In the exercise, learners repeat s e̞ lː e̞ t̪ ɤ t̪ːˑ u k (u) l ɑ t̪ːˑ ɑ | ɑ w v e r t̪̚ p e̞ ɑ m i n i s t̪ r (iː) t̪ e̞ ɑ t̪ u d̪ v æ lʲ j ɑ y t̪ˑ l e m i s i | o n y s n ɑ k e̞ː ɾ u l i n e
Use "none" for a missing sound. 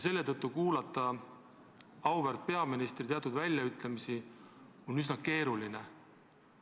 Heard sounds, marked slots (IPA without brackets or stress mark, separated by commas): uː, i